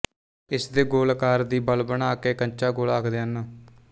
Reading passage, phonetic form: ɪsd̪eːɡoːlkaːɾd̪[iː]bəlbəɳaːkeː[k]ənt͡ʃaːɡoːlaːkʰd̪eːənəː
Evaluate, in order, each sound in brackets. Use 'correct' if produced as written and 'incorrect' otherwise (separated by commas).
correct, correct